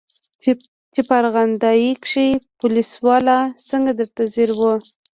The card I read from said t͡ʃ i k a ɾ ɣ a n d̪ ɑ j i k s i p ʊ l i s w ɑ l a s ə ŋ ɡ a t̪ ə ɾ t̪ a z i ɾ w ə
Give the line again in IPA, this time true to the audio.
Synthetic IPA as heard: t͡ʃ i p a ɾ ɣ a n d̪ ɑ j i k ʂ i p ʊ l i s w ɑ l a s ə ŋ ɡ a d̪ ə ɾ t̪ a z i ɾ w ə